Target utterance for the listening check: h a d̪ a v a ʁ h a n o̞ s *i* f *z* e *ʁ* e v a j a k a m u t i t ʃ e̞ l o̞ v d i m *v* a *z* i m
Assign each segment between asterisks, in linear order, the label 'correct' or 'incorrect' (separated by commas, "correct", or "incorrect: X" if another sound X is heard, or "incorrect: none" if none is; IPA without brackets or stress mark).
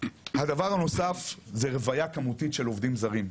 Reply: incorrect: a, correct, correct, incorrect: z, incorrect: ʁ